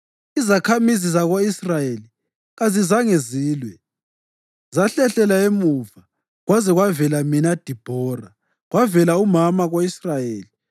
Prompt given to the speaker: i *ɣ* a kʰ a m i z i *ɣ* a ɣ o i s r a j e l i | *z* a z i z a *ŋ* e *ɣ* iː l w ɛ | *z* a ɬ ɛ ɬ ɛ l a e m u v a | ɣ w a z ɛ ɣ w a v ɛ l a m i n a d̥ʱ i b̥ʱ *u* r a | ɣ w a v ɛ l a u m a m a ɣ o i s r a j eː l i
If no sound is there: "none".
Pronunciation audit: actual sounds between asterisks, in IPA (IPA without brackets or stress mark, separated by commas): z, z, ɣ, ŋ, z, z, ɔ